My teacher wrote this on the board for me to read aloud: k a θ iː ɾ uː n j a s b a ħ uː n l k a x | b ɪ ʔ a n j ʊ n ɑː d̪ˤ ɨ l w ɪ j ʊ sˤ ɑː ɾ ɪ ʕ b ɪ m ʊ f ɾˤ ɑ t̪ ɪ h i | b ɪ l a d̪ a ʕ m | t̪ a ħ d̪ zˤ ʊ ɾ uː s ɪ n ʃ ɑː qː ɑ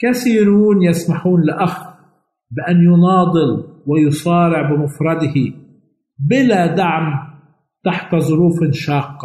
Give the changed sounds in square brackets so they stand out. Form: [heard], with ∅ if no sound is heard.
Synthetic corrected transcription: k a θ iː ɾ uː n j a s [m] a ħ uː n l [ʔ] a x | b ɪ ʔ a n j ʊ n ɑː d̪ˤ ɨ l w ɪ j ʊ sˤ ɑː ɾ ɪ ʕ b ɪ m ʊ f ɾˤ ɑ [d̪] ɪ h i | b ɪ l a d̪ a ʕ m | t̪ a ħ [t̪] zˤ ʊ ɾ uː [f] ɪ n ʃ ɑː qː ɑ